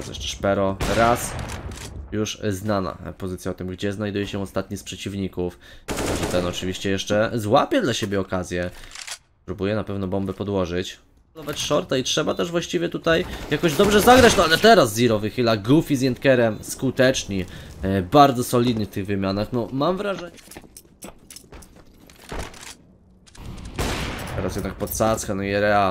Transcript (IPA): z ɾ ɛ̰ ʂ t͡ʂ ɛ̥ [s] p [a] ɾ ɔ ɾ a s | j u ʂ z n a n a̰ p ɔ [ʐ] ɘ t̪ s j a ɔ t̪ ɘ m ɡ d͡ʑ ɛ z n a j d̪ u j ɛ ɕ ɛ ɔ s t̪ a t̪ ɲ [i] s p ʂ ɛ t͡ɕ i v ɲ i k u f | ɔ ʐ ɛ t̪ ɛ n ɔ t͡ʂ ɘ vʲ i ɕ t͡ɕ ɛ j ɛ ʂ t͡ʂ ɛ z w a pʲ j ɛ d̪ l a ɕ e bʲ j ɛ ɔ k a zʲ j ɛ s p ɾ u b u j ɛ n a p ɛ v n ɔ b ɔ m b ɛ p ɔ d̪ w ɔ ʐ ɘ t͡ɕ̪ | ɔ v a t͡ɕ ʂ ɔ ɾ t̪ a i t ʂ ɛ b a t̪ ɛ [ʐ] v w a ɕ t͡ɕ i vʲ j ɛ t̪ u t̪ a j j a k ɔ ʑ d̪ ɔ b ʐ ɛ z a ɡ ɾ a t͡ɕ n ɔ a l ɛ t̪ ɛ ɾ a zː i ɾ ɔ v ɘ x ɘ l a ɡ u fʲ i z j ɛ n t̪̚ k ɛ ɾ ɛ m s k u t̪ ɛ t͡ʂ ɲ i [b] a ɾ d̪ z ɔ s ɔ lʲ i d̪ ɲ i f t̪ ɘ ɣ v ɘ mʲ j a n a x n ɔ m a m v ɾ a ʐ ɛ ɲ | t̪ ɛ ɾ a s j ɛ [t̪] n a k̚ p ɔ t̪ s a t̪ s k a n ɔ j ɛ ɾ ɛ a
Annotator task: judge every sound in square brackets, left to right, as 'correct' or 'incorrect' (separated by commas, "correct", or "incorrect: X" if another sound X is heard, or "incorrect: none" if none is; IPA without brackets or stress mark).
incorrect: ʂ, incorrect: ɛ, incorrect: z, correct, correct, correct, incorrect: d̪